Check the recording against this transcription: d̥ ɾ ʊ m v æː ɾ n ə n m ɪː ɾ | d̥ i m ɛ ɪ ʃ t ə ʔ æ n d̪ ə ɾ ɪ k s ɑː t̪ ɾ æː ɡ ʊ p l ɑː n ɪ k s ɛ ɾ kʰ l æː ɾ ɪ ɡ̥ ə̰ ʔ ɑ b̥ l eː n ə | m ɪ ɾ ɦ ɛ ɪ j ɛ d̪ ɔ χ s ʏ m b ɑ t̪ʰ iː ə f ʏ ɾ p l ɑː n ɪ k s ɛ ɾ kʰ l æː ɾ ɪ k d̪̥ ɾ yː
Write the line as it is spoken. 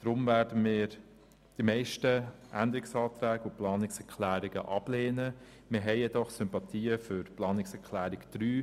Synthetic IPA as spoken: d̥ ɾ ʊ m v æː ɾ d ə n m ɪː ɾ | d̥ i m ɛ ɪ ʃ t ə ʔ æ n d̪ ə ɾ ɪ k s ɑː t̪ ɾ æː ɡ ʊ p l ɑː n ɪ k s ɛ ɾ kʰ l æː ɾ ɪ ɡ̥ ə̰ ʔ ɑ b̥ l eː n ə | m ɪ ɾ ɦ ɛ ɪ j ɛ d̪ ɔ χ s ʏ m p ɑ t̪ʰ iː ə f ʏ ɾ p l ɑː n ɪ k s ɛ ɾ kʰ l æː ɾ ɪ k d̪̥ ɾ yː